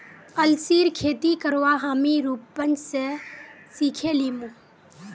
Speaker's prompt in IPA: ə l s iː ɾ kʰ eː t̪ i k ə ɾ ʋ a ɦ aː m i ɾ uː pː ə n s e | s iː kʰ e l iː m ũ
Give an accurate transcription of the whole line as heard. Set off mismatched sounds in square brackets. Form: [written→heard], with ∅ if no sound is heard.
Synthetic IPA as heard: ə l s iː ɾ kʰ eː t̪ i k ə ɾ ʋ a ɦ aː m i ɾ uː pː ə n s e | s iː kʰ e l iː m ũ